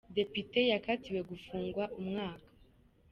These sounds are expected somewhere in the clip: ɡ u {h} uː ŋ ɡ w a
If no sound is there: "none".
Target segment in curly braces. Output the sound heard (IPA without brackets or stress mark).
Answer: f